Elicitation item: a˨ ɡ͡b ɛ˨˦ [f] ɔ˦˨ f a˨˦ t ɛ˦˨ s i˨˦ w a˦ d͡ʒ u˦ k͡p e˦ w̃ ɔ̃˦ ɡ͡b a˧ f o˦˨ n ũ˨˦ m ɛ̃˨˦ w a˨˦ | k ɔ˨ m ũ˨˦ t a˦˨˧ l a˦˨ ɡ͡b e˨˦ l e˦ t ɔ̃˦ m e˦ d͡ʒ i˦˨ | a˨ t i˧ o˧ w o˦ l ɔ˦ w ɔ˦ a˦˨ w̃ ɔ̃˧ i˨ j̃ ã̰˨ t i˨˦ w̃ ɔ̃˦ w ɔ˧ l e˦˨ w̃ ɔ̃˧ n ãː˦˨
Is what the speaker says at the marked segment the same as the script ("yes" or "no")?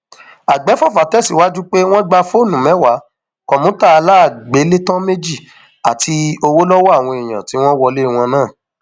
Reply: yes